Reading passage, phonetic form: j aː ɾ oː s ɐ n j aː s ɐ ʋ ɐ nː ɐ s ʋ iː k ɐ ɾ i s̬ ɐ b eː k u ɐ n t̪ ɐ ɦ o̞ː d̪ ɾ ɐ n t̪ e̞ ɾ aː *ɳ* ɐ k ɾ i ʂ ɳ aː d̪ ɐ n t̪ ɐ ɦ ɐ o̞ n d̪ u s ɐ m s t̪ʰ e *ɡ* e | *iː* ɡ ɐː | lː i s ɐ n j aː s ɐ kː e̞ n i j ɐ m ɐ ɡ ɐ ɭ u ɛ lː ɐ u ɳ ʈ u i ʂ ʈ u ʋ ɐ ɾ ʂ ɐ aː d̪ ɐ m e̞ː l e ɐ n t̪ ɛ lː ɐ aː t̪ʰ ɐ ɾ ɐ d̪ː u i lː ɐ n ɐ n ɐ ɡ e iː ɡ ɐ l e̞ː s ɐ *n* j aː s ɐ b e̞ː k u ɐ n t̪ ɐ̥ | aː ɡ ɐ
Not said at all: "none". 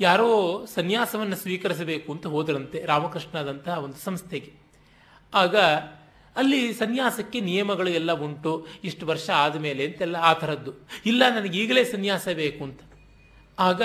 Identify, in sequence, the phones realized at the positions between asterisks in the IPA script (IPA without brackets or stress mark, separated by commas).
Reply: m, ɡ, aː, n